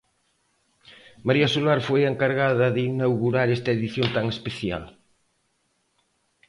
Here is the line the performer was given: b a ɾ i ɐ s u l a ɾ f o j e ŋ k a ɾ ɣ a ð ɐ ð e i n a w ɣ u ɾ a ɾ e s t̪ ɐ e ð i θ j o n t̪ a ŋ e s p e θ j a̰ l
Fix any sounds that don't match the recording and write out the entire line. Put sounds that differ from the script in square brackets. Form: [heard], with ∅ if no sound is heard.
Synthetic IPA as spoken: [m] a ɾ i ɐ s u l a ɾ f o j e ŋ k a ɾ ɣ a ð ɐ ð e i n a w ɣ u ɾ a ɾ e s t̪ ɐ e ð i θ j o n t̪ a ŋ e s p e θ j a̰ l